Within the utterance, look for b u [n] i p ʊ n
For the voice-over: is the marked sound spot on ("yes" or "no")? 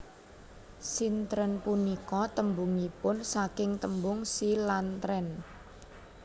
no